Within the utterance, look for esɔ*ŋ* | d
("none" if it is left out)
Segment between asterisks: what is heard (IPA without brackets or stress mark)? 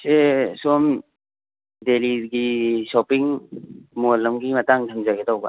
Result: m